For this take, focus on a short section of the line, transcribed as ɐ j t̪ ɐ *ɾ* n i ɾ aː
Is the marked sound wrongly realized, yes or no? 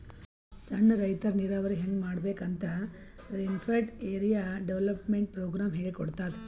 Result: no